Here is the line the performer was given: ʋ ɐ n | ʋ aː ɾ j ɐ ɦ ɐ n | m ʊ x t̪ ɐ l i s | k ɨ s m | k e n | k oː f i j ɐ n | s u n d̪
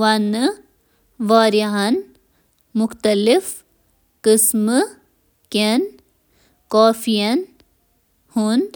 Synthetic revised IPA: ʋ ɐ n | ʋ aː ɾ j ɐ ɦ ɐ n | m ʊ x t̪ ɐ l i f | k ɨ s m | k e n | k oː f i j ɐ n | h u n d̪